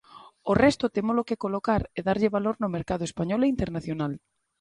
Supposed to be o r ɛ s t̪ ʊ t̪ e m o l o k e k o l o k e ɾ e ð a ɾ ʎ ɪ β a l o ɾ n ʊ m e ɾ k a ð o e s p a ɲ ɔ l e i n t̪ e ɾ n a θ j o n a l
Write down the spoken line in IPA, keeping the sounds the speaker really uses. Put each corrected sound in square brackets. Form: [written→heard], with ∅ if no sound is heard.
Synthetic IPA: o r ɛ s t̪ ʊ t̪ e m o l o k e k o l o k [e→a] ɾ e ð a ɾ ʎ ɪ β a l o ɾ n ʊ m e ɾ k a ð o e s p a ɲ ɔ l e i n t̪ e ɾ n a θ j o n a l